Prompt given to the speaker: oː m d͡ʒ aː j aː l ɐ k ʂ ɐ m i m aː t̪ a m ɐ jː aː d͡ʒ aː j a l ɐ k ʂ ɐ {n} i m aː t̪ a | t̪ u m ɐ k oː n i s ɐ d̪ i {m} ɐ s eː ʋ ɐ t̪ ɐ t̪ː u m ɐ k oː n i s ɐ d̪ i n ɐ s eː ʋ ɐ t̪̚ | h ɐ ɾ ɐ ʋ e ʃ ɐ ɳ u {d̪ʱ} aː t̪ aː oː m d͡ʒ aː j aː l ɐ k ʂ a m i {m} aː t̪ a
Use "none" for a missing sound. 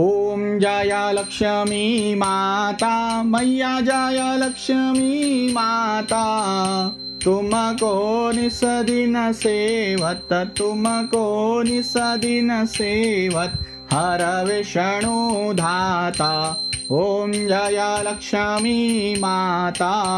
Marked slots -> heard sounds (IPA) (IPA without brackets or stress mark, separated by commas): m, n, d̪ʱ, m